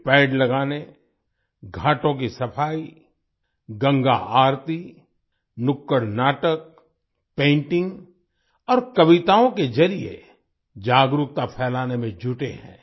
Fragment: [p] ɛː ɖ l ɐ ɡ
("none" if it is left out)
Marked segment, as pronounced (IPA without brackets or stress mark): p